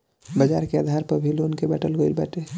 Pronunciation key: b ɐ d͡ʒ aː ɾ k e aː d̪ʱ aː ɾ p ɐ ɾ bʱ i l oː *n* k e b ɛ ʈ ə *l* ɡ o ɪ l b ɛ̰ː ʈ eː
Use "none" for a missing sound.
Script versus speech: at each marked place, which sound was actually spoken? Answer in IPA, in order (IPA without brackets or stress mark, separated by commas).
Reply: n, l